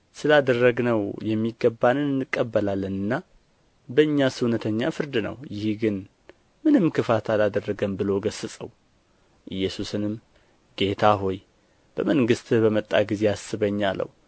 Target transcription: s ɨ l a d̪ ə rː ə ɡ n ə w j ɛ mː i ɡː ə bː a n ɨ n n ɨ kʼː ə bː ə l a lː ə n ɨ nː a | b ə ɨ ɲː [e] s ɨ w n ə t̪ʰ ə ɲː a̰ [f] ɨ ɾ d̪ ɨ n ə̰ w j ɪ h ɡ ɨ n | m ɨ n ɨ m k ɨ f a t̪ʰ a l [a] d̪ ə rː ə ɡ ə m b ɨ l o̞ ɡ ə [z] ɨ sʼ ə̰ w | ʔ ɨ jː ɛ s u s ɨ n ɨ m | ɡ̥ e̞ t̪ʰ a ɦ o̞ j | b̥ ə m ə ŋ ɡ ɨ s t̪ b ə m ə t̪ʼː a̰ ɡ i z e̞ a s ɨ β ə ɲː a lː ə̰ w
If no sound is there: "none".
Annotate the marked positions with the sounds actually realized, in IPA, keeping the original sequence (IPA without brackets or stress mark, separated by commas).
a, f, a, s